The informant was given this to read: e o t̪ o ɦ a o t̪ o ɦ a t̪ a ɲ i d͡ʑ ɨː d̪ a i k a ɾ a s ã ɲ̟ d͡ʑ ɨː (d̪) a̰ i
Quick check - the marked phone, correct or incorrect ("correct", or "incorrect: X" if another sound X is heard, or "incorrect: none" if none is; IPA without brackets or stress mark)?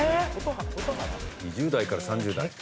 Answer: correct